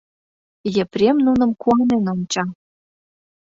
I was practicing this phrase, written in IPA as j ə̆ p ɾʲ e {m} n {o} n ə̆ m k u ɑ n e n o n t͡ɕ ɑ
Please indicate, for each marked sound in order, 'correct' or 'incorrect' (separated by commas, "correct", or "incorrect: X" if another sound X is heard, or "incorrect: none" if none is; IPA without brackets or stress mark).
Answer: correct, incorrect: u